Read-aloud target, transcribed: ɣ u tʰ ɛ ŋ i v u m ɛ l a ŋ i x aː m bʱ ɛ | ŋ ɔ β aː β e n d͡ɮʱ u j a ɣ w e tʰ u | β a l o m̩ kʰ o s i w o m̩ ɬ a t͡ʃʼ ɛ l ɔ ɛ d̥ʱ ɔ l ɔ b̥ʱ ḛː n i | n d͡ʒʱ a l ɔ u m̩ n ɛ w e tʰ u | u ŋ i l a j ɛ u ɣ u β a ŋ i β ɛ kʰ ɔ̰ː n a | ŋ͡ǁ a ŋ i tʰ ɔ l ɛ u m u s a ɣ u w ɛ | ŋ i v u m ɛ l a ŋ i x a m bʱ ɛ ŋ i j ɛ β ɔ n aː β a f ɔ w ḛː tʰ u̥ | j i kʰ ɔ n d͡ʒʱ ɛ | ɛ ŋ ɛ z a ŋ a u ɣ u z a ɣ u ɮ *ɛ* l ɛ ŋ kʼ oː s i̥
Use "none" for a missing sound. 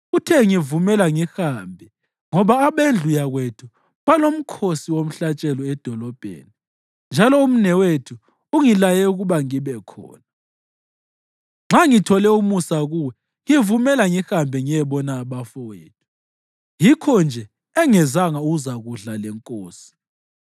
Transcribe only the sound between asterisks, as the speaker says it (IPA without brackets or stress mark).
a